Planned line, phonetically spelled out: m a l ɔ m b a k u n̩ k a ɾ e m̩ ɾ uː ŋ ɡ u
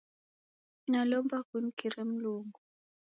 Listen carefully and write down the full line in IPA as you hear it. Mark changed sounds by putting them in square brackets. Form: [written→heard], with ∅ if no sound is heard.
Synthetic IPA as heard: [m→n] a l ɔ m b a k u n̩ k [a→i] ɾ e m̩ [ɾ→l] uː ŋ ɡ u